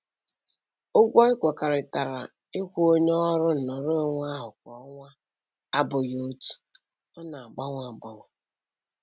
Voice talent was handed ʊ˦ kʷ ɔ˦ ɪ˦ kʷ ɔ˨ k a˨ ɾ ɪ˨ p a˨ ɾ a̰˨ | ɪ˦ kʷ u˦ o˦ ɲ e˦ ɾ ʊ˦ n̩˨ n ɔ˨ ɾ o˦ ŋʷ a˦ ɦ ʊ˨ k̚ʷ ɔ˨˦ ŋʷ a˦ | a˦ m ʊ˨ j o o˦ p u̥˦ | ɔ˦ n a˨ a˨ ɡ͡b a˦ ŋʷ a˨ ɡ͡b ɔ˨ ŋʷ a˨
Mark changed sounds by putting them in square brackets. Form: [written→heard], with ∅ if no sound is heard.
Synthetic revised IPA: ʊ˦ [kʷ→ɡʷ] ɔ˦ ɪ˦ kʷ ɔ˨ k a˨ ɾ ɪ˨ [p→t] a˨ ɾ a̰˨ | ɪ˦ kʷ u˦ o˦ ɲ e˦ ɾ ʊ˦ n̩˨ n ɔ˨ ɾ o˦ ŋʷ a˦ ɦ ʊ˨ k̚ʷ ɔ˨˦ ŋʷ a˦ | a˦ [m→b] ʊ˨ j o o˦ [p→t] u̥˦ | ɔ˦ n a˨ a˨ ɡ͡b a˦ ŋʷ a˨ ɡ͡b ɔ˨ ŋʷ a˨